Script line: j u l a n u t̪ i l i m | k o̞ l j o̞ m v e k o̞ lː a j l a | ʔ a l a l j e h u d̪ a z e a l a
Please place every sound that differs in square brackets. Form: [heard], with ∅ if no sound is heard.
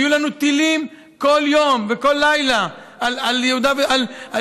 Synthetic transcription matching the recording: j u l a n u t̪ i l i m | k o̞ l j o̞ m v e k o̞ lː a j l a | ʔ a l a l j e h u d̪ a [v] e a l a